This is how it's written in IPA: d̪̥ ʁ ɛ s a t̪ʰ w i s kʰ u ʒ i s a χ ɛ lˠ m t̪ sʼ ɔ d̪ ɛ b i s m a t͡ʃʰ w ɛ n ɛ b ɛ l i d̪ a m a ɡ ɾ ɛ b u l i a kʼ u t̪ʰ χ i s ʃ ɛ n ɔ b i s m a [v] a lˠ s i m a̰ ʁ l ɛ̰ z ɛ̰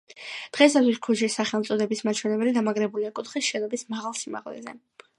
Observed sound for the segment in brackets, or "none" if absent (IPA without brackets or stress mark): ʁ